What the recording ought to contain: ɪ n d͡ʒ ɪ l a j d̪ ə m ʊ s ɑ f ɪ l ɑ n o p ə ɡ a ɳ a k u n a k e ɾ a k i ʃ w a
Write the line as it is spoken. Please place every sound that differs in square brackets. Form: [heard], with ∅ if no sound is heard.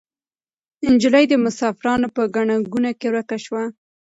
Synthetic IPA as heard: ɪ n d͡ʒ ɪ l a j d̪ ə m ʊ s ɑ f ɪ [ɾ] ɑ n o p ə ɡ a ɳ a [ɡ] u n a k e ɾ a k [a] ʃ w a

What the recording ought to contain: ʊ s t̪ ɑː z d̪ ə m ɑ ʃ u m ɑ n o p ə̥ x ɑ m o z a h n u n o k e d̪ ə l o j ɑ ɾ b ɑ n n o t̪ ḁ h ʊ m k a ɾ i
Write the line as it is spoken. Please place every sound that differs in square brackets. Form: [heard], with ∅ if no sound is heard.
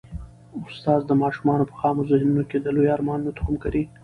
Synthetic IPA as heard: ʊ s t̪ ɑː z d̪ ə m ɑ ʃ u m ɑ n o p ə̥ x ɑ m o z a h n u n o k e d̪ ə l o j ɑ ɾ [m] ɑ n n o t̪ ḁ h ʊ m k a ɾ i

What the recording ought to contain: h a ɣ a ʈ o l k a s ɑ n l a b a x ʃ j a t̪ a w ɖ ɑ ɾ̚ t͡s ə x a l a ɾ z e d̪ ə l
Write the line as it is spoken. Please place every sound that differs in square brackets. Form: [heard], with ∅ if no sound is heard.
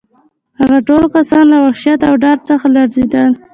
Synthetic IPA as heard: h a ɣ a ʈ o l k a s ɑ n l a [w] a x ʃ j a t̪ a w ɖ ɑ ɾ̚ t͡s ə x a l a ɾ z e d̪ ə l

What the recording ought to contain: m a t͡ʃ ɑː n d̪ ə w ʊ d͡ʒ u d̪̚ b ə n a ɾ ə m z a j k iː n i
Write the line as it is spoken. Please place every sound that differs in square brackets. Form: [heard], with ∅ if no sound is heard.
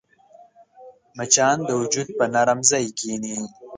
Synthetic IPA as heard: m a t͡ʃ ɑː n d̪ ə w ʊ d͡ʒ u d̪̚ [p] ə n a ɾ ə m z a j k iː n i

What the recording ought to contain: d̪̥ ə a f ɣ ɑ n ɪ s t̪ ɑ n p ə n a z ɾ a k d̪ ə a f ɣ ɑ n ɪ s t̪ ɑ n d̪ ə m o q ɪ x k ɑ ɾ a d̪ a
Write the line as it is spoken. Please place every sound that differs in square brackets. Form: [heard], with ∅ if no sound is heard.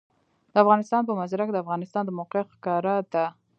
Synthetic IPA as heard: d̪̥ ə a f ɣ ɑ n ɪ s t̪ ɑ n p ə [m] a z ɾ a k d̪ ə a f ɣ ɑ n ɪ s t̪ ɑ n d̪ ə m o q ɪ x k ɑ ɾ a d̪ a

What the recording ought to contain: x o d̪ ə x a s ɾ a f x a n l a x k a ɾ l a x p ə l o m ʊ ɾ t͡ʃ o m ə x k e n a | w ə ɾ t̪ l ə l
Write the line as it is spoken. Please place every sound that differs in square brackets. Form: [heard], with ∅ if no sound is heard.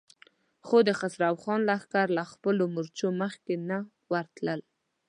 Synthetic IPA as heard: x o d̪ ə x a s ɾ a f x [ɑ] n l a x k a ɾ l a x p ə l o m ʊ ɾ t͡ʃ o m ə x k e n a | w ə ɾ t̪ l ə l

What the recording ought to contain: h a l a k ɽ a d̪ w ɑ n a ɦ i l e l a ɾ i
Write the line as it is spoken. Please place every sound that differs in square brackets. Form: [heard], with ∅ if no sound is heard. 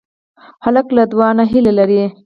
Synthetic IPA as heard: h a l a k [l] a d̪ w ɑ n a ɦ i l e l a ɾ i

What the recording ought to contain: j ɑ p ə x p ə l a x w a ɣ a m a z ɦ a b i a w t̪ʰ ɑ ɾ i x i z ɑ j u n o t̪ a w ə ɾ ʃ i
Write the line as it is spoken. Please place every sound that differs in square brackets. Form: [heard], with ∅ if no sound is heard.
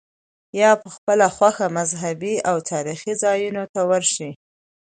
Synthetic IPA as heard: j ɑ p ə x p ə l a x w a [x] a m a z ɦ a b i a w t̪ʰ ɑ ɾ i x i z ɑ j u n o t̪ a w ə ɾ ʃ i

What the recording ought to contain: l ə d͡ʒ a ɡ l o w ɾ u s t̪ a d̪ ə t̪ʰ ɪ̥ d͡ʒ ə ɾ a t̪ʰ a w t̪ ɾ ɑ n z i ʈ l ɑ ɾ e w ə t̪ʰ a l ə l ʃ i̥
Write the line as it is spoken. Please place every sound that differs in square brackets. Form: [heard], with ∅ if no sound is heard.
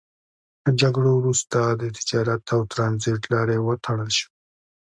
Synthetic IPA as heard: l ə d͡ʒ a ɡ [ɽ] o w ɾ u s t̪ a d̪ ə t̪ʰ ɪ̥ d͡ʒ [ɑ] ɾ a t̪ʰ a w t̪ ɾ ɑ n z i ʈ l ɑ ɾ e w ə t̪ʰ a [ɽ] ə l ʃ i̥

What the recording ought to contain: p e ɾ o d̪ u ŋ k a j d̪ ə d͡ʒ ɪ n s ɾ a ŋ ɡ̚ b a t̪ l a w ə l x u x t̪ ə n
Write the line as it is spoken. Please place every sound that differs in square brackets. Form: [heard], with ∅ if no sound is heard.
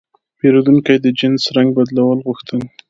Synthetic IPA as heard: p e ɾ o d̪ u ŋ k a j d̪ ə d͡ʒ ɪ n s ɾ a ŋ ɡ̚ b a [d̪] l a w ə l [ɣ] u x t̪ ə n

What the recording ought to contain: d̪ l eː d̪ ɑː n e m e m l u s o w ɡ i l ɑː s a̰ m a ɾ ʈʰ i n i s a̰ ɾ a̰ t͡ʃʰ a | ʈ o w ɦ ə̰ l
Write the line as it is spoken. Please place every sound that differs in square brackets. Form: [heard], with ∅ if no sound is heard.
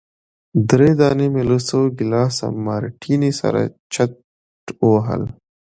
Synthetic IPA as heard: d̪ [ɾ] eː d̪ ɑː n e m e [∅] l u s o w ɡ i l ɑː s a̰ m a ɾ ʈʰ i n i s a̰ ɾ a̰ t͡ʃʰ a | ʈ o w ɦ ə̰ l

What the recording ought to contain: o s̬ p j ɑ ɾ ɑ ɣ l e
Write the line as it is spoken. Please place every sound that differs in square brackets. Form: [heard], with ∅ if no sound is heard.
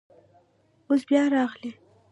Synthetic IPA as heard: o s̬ [b] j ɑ ɾ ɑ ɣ l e

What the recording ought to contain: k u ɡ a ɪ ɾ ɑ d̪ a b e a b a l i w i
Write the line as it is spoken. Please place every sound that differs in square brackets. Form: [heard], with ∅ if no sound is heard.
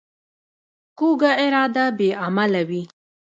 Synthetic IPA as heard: k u ɡ a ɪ ɾ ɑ d̪ a b e a [m] a l [a] w i

